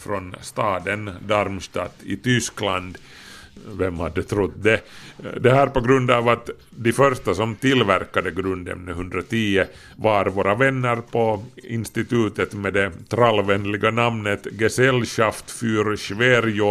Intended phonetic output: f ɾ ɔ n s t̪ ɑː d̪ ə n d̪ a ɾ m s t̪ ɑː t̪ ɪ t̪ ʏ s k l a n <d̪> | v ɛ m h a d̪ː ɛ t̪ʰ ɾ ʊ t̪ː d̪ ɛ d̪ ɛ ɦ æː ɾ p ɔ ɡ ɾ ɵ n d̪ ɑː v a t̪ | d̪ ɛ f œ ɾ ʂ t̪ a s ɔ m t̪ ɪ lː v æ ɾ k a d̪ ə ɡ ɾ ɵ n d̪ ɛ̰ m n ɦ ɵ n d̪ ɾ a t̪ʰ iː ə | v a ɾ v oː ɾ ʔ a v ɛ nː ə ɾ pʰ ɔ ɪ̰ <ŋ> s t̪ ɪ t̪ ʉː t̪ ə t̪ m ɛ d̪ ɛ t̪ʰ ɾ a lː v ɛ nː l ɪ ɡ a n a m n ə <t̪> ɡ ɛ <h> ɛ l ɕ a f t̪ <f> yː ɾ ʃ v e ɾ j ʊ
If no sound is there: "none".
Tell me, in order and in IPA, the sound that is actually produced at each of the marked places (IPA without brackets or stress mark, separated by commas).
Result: d̪, n, t̪, s, f